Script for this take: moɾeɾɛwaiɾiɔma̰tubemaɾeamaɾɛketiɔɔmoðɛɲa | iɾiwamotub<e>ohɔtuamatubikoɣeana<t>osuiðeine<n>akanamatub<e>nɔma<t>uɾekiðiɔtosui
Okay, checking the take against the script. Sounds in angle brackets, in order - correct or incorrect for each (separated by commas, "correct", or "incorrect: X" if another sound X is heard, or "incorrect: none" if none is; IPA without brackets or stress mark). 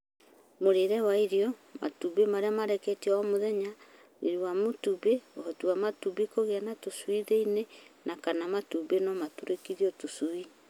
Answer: correct, correct, correct, correct, correct